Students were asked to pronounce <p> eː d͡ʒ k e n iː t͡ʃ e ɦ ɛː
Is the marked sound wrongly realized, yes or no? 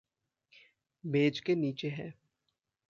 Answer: yes